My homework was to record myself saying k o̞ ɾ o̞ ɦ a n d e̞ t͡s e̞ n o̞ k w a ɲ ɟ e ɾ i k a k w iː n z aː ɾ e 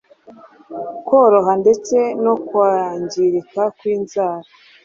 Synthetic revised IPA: k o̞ ɾ o̞ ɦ a n d e̞ t͡s e̞ n o̞ k w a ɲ ɟ i ɾ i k a k w iː n z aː ɾ a

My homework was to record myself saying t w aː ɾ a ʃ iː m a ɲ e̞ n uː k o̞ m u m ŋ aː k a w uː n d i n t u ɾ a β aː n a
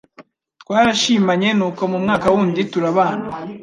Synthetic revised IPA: t w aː ɾ a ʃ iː m a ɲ e̞ n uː k o̞ m u m ŋ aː k a w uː n d i t u ɾ a β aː n a

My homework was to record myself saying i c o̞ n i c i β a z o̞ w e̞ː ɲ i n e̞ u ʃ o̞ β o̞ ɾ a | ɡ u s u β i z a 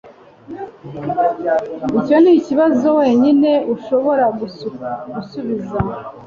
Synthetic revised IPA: i c o̞ n i c i β a z o̞ w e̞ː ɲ i n e̞ u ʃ o̞ β o̞ ɾ a | ɡ u s u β i z a

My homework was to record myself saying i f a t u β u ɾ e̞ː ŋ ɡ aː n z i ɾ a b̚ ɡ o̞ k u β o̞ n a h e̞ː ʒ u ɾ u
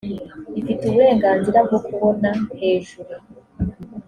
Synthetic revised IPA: i f i t u β u ɾ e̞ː ŋ ɡ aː n z i ɾ a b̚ ɡ o̞ k u β o̞ n a h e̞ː ʒ u ɾ u

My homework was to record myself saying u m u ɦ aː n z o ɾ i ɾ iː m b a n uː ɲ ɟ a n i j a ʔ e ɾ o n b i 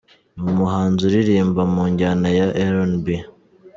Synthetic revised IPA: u m u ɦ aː n z u ɾ i ɾ iː m b a m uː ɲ ɟ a n a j a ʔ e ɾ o n b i

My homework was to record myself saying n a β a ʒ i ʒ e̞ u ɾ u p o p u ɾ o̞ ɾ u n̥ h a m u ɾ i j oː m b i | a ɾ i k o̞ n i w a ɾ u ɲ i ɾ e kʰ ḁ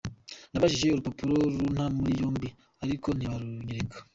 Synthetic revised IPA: n a β a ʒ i ʒ e̞ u ɾ u p o p u ɾ o̞ ɾ u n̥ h a m u ɾ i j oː m b i | a ɾ i k o̞ n i β a ɾ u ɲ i ɾ e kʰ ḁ

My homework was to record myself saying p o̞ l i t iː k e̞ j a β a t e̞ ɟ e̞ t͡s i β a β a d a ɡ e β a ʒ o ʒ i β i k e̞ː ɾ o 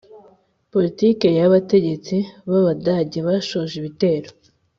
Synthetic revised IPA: p o̞ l i t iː k e̞ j a β a t e̞ ɟ e̞ t͡s i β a β a d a ɟ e β a ʃ o ʒ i β i t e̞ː ɾ o

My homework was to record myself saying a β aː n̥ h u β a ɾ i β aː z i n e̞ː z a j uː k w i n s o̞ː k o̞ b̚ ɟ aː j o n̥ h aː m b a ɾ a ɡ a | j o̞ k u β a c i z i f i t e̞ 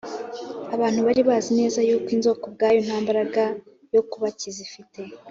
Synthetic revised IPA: a β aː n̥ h u β a ɾ i β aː z i n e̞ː z a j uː k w i n z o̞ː k o̞ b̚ ɡ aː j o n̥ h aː m b a ɾ a ɡ a | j o̞ k u β a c i z i f i t e̞

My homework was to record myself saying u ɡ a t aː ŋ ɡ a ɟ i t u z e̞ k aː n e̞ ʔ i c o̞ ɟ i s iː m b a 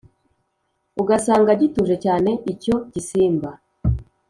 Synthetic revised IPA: u ɡ a s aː ŋ ɡ a ɟ i t u ʒ e̞ c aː n e̞ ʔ i c o̞ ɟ i s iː m b a

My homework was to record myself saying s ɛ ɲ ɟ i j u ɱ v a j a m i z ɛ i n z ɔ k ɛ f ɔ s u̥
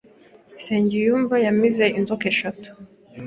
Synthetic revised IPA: s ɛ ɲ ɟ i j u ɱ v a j a m i z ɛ i n z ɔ k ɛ ʃ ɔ t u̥

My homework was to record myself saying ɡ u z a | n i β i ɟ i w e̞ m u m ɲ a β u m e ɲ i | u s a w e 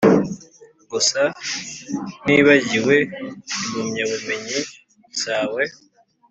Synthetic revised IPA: ɡ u s a | n i β a ɟ i w e̞ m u m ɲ a β u m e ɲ i | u s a w e

